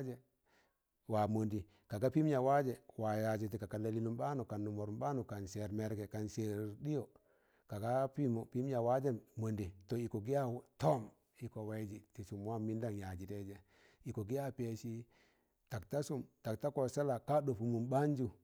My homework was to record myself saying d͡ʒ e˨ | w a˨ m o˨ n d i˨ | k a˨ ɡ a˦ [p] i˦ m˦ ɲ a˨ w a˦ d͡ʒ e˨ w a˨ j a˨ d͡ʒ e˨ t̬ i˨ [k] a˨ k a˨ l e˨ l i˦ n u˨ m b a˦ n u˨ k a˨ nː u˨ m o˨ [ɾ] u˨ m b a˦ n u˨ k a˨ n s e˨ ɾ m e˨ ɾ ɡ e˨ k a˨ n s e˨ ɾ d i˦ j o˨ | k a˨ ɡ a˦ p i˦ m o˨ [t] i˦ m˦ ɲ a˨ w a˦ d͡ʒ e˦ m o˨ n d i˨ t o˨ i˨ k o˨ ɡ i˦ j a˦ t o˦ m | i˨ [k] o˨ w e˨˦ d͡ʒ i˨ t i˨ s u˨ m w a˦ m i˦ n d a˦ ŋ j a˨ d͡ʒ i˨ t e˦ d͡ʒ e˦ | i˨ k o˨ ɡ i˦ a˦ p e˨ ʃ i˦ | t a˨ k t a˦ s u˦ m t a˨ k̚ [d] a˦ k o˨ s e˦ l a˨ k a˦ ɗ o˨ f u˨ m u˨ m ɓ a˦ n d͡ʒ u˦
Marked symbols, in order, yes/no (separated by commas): yes, yes, yes, no, yes, no